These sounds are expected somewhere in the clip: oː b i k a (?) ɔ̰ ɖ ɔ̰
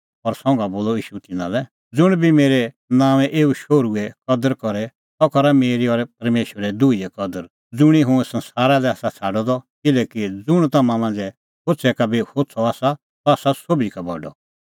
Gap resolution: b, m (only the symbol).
b